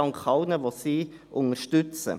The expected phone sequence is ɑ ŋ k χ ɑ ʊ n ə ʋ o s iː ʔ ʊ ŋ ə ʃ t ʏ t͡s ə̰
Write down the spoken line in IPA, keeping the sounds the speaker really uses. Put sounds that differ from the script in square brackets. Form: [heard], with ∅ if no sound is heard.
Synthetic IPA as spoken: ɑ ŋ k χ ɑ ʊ n ə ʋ o s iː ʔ ʊ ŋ ə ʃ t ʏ t͡s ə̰